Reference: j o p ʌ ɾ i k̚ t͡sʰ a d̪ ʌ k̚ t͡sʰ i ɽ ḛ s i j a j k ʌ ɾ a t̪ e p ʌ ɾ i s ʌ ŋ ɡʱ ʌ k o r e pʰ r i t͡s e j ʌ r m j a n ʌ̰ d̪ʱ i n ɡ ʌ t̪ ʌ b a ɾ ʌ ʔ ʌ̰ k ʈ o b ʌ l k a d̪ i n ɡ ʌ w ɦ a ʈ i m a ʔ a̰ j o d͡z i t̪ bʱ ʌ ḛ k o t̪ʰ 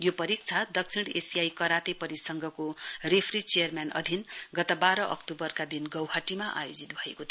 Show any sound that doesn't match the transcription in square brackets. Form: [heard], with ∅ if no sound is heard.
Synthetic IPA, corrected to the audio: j o p ʌ ɾ i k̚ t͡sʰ a d̪ ʌ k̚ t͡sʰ i ɽ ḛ s i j a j k ʌ ɾ a t̪ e p ʌ ɾ i s ʌ ŋ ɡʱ ʌ k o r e pʰ r i t͡s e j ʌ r m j a n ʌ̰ d̪ʱ i n ɡ ʌ t̪ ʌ b a ɾ ʌ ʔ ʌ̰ k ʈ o b ʌ [r] k a d̪ i n ɡ ʌ w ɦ a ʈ i m a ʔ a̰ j o d͡z i t̪ bʱ ʌ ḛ k o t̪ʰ